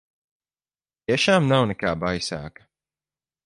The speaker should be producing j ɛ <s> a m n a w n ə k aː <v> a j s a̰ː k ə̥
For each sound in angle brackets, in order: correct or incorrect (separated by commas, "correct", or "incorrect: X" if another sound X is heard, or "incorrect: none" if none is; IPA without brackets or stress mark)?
incorrect: ʃ, incorrect: b